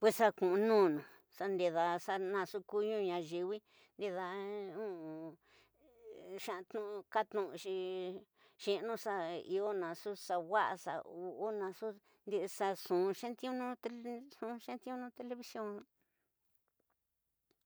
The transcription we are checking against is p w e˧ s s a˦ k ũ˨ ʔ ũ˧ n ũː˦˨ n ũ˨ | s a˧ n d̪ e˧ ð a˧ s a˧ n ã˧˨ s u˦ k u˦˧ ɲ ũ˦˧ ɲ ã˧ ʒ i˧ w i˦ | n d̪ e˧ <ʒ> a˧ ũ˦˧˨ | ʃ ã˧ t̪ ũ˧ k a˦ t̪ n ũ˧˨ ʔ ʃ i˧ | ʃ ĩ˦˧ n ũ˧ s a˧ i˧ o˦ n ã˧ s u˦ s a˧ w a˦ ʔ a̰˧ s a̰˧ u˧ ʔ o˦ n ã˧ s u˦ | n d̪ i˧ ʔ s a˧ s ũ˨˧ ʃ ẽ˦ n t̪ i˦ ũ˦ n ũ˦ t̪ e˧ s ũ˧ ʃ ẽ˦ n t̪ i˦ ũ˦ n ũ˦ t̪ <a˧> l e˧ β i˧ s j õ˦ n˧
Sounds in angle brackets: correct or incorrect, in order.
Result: incorrect: ð, incorrect: e˧

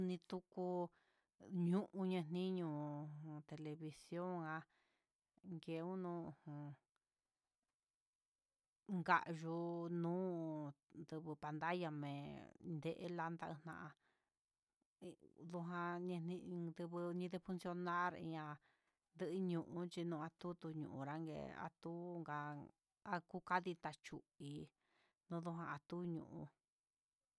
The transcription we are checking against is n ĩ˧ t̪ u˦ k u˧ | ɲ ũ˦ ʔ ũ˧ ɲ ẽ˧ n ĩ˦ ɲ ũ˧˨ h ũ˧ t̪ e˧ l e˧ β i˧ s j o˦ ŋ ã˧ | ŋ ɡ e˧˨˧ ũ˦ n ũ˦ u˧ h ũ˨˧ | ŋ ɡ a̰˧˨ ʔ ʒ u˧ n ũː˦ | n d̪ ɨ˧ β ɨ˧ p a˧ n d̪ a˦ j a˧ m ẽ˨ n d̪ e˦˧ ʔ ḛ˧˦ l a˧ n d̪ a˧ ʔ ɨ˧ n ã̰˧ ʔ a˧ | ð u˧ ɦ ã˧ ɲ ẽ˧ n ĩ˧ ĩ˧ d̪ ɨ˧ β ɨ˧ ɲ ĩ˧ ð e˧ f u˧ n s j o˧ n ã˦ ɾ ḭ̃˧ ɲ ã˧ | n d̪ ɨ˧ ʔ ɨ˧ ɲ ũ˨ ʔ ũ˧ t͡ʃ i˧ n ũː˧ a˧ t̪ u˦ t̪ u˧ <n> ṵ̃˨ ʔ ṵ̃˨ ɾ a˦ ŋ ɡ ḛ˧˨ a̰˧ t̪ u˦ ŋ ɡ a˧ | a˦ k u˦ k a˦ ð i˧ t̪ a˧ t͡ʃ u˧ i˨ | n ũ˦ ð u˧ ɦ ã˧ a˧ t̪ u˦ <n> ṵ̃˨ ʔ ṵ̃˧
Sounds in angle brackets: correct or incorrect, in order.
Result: incorrect: ɲ, incorrect: ɲ

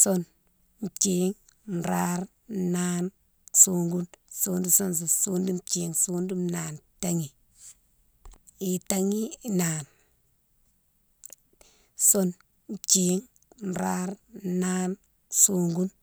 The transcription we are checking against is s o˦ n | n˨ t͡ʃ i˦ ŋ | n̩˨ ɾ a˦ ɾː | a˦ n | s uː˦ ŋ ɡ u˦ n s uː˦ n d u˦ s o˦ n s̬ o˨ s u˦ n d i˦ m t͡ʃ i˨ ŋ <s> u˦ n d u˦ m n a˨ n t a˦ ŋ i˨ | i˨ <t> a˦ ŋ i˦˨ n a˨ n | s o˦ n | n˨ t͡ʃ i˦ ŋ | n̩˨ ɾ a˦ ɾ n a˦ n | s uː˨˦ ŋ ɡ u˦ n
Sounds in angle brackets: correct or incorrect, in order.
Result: correct, correct

